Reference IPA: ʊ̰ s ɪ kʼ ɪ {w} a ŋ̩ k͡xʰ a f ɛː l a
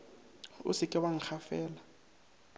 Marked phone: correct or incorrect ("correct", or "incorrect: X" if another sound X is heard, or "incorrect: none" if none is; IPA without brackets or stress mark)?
correct